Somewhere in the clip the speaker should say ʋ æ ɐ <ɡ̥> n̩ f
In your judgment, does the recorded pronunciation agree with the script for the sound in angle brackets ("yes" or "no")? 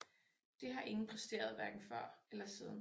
yes